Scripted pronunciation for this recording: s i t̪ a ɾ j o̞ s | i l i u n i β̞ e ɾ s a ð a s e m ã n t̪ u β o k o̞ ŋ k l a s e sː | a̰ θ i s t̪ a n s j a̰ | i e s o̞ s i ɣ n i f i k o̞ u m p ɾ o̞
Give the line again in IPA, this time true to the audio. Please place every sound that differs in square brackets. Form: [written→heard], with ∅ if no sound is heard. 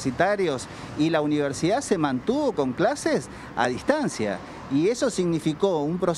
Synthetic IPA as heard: s i t̪ a ɾ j o̞ s | i l [i→a] u n i β̞ e ɾ s [a→i] ð a s e m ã n t̪ u β o k o̞ ŋ k l a s e [sː→s] | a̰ [θ→ð] i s t̪ a n s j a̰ | i e s o̞ s i ɣ n i f i k o̞ u m p ɾ o̞